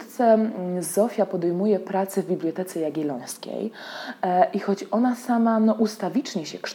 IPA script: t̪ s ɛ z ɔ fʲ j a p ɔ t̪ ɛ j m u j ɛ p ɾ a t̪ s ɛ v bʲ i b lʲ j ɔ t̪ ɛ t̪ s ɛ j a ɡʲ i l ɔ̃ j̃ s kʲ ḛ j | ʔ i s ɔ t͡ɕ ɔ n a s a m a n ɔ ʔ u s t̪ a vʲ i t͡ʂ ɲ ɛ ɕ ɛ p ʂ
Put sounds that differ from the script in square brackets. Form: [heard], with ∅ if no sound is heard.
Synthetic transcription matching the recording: t̪ s ɛ z ɔ fʲ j a p ɔ [d̪] ɛ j m u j ɛ p ɾ a t̪ s ɛ v bʲ i b lʲ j ɔ t̪ ɛ t̪ s ɛ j a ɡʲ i l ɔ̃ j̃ s kʲ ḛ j | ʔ i [x] ɔ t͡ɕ ɔ n a s a m a n ɔ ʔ u s t̪ a vʲ i t͡ʂ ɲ ɛ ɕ ɛ [k] ʂ